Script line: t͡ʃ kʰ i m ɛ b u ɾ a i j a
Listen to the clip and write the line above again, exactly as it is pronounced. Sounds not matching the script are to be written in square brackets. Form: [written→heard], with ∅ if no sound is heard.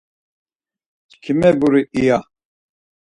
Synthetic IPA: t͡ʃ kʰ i m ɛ b u ɾ [a→i] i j a